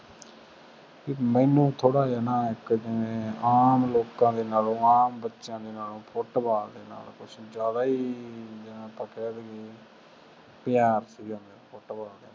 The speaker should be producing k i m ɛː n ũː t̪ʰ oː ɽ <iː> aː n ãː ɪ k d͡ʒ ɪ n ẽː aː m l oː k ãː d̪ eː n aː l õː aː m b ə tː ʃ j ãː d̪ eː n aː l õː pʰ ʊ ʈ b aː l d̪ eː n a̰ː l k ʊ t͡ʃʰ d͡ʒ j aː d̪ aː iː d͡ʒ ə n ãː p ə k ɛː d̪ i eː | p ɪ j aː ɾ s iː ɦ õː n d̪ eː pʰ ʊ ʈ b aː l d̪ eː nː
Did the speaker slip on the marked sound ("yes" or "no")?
yes